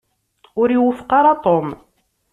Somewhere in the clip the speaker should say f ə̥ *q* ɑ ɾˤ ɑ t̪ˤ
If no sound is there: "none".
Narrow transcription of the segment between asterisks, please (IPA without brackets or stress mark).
q